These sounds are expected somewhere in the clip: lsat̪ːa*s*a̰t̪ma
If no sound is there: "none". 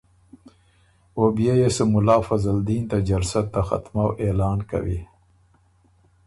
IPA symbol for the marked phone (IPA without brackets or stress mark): x